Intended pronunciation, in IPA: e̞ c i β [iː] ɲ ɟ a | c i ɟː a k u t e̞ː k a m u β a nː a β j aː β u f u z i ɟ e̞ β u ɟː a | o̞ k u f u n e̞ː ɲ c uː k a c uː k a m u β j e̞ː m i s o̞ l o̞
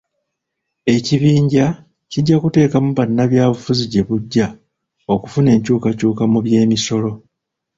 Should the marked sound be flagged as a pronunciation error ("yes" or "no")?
no